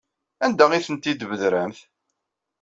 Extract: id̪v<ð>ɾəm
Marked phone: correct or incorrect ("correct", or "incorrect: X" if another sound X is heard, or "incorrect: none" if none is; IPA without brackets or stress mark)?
correct